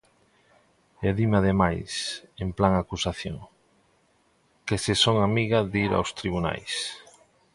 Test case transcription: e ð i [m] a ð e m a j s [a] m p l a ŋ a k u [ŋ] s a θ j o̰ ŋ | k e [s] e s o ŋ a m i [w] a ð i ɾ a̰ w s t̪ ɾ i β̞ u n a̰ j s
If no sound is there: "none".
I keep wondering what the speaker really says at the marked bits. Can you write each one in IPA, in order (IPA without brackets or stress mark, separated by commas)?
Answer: m, e, none, s, ɣ